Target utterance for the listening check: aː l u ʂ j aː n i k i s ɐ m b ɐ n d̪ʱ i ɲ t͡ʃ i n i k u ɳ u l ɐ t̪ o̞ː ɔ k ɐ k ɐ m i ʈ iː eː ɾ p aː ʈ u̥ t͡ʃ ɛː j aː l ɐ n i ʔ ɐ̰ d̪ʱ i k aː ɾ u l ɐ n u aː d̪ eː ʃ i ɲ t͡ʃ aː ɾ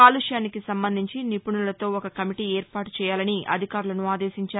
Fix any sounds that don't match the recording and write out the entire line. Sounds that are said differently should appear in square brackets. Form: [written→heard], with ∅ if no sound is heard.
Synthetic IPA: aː l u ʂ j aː n i k i s ɐ m b ɐ n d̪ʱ i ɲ t͡ʃ i n i [k→p] u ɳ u l ɐ t̪ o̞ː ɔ k ɐ k ɐ m i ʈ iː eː ɾ p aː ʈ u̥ t͡ʃ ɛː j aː l ɐ n i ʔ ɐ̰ d̪ʱ i k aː ɾ u l ɐ n u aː d̪ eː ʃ i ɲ t͡ʃ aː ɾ